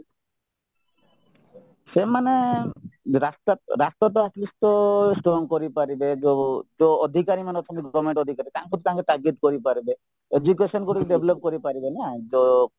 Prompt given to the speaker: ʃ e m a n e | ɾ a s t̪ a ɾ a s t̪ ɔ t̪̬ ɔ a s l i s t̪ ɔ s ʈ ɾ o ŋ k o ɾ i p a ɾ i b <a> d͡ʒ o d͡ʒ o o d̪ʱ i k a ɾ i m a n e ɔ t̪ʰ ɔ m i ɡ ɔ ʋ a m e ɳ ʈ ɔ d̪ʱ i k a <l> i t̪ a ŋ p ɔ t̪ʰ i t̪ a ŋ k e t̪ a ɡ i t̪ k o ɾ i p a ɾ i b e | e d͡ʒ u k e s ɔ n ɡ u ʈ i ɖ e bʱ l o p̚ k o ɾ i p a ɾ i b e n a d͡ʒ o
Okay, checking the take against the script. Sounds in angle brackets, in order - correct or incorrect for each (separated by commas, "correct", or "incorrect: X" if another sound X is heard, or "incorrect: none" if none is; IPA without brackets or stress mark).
incorrect: e, incorrect: ɾ